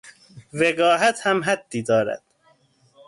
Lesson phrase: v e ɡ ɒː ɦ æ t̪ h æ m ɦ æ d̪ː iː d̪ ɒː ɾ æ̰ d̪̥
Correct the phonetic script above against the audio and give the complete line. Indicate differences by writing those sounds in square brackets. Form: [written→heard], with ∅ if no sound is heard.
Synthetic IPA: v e ɡ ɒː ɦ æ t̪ h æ m ɦ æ d̪ː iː d̪ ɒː ɾ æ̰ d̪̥